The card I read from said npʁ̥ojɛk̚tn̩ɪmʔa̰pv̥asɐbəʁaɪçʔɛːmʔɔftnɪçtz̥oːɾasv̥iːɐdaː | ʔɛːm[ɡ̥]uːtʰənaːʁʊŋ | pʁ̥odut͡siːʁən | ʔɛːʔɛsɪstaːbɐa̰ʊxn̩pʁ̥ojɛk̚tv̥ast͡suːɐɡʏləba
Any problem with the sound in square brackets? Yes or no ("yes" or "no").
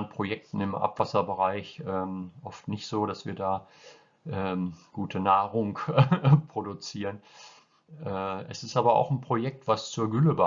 no